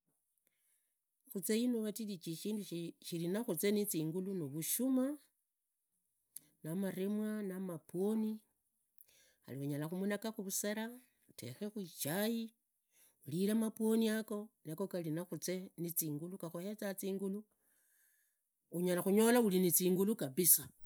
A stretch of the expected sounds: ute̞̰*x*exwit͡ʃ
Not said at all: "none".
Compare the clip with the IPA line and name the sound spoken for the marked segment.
x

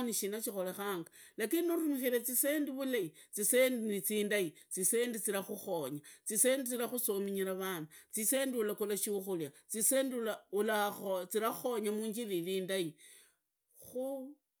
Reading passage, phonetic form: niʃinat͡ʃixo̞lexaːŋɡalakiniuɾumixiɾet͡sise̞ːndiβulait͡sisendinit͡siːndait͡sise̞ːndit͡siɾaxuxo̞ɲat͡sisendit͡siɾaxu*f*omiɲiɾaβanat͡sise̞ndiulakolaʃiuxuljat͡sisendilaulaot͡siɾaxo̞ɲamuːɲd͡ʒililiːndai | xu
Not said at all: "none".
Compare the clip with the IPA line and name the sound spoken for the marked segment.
s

